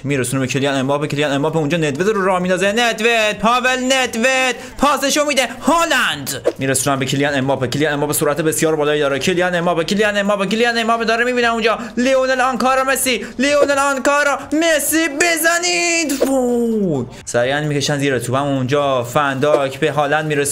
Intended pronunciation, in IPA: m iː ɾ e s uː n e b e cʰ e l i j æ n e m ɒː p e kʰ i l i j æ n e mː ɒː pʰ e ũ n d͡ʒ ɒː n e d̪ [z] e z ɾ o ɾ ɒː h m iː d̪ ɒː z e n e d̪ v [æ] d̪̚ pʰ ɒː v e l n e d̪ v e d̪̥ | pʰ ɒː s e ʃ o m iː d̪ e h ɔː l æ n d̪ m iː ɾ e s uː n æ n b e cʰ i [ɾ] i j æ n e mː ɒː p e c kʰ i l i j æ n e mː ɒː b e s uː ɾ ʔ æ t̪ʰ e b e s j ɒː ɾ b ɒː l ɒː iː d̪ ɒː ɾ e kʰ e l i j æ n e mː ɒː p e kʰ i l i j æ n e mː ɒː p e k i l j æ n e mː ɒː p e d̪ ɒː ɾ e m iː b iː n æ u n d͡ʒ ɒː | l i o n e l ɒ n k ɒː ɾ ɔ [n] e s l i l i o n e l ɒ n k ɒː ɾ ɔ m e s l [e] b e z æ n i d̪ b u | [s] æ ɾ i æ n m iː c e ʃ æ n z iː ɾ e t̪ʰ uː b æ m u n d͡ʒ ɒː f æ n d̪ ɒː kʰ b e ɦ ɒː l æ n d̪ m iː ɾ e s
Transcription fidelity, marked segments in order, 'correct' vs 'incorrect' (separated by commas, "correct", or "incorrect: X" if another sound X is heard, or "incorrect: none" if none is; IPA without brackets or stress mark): incorrect: v, incorrect: e, incorrect: l, incorrect: m, incorrect: i, correct